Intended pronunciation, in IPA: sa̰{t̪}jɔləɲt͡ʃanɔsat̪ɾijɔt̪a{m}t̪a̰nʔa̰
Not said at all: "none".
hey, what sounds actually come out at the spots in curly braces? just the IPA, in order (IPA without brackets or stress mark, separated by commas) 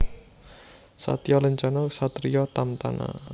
t̪, m